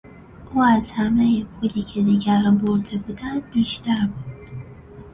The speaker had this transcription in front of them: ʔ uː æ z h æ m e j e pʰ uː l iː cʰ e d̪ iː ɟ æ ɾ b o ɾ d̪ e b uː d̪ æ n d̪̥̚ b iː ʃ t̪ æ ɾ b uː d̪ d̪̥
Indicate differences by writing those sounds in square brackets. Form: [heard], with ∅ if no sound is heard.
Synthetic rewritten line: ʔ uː æ z h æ m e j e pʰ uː l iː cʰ e d̪ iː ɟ æ ɾ b o ɾ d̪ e b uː d̪ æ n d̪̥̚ b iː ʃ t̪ æ ɾ b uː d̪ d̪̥